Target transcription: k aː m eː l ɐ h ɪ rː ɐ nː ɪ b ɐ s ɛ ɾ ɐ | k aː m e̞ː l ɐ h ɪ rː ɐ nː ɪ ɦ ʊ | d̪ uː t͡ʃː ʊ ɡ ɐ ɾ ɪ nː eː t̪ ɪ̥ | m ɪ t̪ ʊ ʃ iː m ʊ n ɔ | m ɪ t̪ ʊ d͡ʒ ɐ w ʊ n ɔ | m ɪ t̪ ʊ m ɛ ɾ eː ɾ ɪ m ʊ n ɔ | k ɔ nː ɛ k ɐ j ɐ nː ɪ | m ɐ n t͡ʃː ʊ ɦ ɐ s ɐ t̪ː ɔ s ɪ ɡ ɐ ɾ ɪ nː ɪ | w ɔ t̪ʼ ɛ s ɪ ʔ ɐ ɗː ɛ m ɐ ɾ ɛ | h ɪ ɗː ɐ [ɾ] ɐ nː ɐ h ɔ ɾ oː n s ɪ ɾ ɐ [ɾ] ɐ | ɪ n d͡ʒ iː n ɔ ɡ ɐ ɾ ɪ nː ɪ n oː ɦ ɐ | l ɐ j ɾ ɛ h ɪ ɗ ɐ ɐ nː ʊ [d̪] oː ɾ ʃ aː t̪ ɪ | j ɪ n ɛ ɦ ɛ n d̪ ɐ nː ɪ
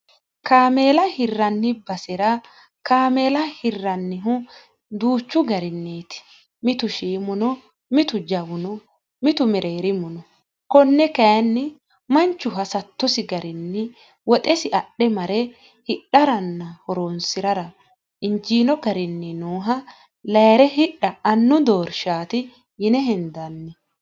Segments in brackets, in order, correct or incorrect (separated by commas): correct, correct, correct